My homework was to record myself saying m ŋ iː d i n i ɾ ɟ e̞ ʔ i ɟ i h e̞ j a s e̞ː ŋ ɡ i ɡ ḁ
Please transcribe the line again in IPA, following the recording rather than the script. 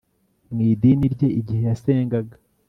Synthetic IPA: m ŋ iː d i n i ɾ ɟ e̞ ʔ i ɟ i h e̞ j a s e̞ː ŋ ɡ a ɡ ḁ